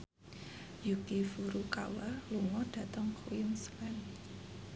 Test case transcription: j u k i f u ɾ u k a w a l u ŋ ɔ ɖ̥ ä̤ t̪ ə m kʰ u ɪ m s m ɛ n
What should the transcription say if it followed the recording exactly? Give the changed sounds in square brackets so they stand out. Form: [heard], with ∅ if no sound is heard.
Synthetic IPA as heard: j u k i f u ɾ u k a w a l u ŋ ɔ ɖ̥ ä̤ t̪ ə [ŋ] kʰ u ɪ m s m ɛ n